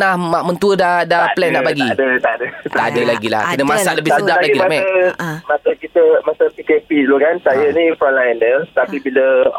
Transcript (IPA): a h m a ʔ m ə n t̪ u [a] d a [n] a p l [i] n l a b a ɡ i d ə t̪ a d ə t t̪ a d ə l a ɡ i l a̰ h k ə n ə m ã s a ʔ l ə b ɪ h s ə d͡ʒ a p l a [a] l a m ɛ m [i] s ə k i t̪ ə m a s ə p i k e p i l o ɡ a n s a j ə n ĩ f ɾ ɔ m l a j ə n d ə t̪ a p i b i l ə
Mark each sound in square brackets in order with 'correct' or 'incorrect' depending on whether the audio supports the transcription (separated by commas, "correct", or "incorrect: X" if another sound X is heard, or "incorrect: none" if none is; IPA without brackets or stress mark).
incorrect: ə, incorrect: d, incorrect: ɛ, incorrect: i, incorrect: a